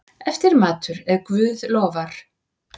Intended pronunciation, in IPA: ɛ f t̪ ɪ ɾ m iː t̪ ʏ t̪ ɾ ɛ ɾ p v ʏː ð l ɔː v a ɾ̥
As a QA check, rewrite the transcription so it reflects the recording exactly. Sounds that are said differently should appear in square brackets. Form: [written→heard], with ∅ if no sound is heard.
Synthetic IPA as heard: ɛ f t̪ ɪ ɾ m [iː→aː] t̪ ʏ [t̪→∅] ɾ ɛ ɾ [p→k] v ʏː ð l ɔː v a ɾ̥